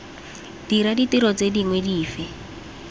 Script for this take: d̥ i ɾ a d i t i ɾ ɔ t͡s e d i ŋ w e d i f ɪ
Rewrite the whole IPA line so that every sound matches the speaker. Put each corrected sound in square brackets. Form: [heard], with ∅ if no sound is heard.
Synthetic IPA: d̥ i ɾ a d i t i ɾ ɔ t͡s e d i ŋ w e d [iː] f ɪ